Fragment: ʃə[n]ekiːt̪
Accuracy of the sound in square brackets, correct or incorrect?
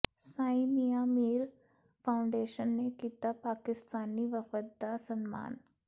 incorrect